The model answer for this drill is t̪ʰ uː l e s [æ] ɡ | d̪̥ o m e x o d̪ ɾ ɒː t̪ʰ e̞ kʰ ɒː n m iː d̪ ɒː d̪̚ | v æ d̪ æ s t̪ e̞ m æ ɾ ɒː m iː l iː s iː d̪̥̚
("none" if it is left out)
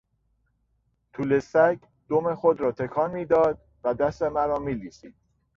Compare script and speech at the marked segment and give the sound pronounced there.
æ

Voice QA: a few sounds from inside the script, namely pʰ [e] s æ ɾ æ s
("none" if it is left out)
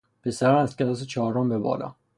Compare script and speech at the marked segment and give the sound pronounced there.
e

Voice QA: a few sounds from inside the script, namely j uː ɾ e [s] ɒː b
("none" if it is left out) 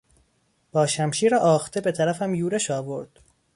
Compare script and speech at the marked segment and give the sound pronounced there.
ʃ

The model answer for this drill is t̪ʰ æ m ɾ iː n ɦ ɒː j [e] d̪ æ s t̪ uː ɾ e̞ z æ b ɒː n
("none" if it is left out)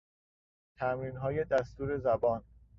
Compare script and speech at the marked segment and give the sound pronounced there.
e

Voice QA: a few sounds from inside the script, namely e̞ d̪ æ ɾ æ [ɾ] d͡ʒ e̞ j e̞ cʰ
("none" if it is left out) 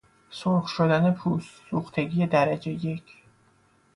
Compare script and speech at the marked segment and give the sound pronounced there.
none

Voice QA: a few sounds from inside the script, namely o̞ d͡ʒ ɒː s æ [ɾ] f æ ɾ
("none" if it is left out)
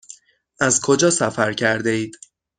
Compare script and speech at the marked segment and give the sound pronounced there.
none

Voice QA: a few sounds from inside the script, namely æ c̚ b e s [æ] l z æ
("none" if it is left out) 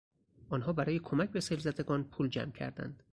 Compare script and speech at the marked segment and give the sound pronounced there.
e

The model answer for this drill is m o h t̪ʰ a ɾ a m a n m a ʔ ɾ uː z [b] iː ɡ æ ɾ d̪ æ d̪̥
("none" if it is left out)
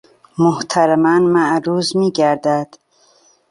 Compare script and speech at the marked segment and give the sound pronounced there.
m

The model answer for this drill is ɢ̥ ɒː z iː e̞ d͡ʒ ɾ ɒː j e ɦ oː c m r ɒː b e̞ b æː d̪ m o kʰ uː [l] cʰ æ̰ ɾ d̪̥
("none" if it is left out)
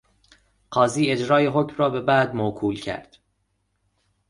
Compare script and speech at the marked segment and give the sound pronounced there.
l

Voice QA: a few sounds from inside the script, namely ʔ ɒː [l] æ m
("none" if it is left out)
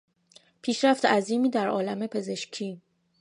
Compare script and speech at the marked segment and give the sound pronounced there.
l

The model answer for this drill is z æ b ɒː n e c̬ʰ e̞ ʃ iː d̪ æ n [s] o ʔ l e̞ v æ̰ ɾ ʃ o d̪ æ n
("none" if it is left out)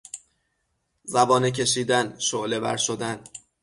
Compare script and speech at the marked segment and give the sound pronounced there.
ʃ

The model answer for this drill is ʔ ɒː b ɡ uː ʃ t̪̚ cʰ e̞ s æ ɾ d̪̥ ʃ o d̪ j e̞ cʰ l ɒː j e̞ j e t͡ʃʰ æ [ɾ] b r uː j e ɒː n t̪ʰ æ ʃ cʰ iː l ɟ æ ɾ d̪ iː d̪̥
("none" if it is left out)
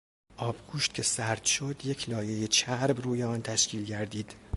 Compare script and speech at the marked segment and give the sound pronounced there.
ɾ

